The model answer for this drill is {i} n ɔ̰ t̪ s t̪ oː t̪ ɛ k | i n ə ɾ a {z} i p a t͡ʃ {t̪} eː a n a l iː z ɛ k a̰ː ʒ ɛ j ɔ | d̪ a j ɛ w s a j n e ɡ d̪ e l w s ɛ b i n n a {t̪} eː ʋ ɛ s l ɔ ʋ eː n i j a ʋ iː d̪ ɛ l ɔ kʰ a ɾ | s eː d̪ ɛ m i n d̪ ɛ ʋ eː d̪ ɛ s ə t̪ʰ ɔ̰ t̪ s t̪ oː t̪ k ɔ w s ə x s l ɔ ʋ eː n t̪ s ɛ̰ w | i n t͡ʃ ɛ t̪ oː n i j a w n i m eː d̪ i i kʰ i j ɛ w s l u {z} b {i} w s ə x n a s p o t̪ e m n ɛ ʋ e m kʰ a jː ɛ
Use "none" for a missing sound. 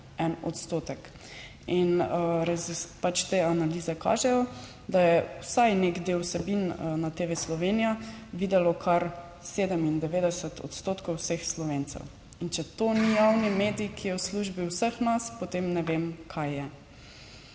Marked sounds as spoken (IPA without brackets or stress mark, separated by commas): ɛ, z, t̪, t̪, ʒ, i